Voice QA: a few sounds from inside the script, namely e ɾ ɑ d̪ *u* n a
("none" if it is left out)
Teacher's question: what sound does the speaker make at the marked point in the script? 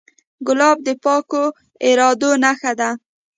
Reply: o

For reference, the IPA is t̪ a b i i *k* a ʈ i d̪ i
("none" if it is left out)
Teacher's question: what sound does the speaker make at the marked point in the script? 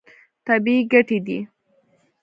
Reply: ɡ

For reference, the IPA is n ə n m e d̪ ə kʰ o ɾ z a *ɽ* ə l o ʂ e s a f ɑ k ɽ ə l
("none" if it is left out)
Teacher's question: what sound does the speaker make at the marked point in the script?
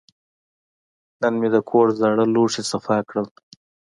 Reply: ɽ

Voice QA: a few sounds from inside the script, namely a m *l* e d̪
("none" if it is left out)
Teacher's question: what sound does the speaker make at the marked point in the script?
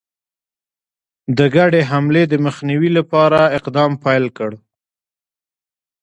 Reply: l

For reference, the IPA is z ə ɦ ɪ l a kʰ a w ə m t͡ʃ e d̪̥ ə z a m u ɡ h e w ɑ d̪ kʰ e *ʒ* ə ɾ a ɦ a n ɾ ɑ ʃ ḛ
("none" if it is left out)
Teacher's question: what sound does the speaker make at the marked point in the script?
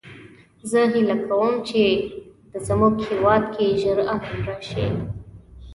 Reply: ʒ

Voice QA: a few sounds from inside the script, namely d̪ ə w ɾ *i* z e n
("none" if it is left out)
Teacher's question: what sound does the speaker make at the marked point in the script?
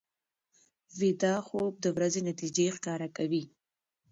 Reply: a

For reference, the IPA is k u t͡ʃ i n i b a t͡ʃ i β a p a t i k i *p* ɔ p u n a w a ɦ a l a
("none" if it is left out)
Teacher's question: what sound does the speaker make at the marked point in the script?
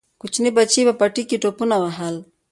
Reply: t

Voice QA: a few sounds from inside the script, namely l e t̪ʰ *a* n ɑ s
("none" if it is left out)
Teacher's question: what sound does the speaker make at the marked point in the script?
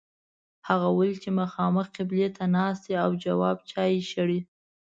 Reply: a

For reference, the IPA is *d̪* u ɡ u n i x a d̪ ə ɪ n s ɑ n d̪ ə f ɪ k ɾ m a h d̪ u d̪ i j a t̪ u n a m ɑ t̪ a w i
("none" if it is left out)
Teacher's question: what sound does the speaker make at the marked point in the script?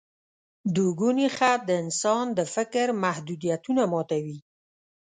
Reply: d̪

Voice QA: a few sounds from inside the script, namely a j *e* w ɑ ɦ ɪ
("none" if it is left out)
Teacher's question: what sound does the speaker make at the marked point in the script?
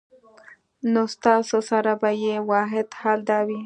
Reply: e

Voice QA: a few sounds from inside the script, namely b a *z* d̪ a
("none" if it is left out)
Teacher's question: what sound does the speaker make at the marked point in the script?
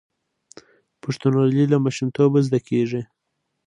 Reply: z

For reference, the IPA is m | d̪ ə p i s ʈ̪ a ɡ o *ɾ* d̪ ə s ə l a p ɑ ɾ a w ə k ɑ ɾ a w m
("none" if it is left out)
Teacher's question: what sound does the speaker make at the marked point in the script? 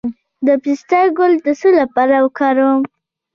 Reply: l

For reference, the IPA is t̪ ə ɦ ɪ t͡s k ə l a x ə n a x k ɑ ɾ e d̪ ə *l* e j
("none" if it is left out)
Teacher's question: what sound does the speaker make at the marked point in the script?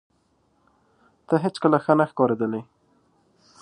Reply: l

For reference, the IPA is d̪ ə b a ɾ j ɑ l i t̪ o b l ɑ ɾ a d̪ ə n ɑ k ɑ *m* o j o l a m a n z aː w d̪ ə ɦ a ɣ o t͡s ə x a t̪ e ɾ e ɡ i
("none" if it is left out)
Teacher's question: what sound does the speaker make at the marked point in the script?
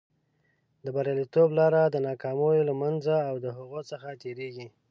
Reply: m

